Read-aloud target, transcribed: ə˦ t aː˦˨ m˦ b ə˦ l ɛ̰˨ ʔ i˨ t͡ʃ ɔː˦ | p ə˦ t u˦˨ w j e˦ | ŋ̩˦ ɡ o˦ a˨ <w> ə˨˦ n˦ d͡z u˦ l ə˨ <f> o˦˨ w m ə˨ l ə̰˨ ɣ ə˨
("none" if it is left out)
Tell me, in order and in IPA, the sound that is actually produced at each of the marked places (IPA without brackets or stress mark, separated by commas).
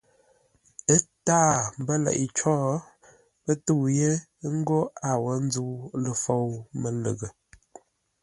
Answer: w, f